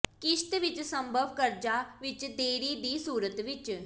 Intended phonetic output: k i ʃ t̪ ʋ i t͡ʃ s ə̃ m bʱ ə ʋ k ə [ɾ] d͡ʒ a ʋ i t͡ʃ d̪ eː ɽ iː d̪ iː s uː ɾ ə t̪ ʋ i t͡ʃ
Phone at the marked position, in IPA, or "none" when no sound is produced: ɾ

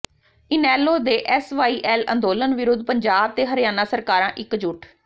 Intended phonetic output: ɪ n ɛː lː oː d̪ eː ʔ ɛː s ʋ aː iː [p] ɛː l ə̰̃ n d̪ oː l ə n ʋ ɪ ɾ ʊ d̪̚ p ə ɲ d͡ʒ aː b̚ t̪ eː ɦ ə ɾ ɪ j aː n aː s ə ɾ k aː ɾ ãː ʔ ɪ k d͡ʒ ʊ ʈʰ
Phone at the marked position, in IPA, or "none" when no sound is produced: ʔ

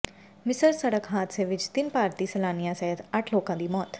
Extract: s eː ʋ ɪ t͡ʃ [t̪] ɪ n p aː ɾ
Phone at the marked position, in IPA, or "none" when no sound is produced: t̪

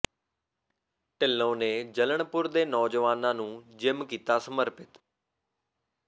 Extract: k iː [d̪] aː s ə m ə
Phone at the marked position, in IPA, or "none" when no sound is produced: t̪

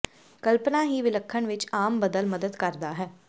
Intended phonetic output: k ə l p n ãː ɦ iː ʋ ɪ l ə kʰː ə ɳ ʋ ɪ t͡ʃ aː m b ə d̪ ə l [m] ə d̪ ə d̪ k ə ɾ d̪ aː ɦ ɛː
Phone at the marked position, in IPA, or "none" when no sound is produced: m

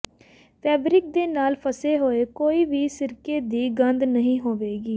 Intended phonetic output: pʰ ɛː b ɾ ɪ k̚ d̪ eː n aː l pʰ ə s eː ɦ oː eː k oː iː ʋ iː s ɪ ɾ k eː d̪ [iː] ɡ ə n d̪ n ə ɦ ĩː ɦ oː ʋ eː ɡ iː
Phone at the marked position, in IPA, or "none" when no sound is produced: iː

